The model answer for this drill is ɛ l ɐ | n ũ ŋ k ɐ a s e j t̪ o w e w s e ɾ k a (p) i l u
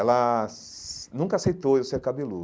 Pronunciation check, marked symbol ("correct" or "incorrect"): incorrect